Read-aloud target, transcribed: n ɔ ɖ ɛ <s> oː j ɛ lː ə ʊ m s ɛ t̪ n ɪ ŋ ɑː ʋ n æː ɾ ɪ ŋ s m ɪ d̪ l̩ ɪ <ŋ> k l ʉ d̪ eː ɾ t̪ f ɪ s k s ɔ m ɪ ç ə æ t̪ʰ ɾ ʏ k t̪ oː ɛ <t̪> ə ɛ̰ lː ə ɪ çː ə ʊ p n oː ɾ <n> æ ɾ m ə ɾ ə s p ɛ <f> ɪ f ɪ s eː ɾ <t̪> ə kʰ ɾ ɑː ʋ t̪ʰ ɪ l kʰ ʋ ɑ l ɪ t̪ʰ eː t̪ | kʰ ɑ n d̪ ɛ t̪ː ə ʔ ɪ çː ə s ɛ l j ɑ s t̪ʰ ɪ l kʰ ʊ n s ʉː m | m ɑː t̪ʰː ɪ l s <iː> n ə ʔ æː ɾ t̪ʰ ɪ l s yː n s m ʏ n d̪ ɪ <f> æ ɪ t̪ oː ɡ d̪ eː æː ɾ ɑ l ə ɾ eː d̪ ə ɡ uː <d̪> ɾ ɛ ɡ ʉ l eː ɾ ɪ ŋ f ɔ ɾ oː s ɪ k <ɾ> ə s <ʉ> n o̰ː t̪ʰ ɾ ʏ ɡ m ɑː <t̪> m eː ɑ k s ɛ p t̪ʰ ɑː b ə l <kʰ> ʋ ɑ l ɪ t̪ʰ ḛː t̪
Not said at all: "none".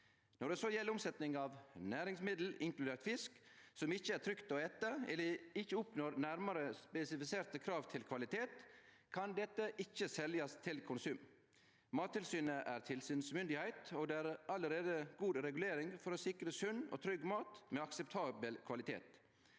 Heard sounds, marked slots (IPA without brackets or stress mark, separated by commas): s, ŋ, t̪, n, s, t̪, yː, h, d̪, ɾ, ʉ, t̪, kʰ